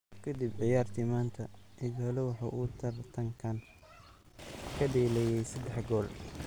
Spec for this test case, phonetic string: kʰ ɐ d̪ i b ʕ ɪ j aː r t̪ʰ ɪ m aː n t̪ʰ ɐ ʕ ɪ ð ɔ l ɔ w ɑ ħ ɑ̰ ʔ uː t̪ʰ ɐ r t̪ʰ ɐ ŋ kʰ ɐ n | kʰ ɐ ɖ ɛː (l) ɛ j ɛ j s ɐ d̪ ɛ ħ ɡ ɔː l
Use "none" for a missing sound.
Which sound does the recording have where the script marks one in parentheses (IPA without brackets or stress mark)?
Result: l